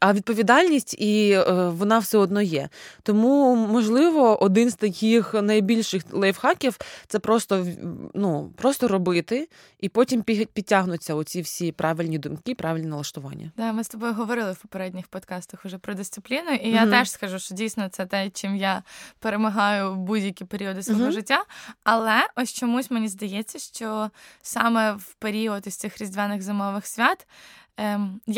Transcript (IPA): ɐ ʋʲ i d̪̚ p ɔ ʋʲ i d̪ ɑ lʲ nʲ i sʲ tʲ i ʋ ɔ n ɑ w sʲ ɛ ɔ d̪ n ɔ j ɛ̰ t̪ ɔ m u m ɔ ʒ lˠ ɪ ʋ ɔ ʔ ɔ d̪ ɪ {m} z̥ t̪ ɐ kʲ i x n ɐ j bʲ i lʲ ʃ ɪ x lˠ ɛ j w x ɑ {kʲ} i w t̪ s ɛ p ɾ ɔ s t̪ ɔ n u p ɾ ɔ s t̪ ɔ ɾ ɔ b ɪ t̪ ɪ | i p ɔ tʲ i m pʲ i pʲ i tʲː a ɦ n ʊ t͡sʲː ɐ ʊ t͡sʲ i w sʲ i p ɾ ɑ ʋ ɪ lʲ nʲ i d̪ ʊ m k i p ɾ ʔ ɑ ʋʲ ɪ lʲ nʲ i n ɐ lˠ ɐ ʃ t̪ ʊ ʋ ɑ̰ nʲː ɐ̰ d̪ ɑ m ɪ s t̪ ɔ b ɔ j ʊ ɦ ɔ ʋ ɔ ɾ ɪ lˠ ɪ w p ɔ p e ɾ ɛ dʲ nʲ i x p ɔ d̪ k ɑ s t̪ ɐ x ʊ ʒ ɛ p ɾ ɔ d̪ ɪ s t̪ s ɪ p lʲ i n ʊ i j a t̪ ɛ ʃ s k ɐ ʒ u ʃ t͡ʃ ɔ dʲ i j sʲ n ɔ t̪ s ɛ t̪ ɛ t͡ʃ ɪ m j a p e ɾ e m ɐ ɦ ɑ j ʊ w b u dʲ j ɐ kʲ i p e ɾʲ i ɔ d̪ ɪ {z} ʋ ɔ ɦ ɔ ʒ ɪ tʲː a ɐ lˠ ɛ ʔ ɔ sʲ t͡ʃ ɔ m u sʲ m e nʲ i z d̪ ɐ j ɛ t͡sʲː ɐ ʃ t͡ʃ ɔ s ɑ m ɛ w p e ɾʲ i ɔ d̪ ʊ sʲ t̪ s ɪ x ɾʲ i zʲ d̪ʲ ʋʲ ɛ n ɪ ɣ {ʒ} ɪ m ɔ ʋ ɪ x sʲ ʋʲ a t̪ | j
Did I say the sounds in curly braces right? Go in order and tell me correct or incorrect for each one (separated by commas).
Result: incorrect, correct, incorrect, incorrect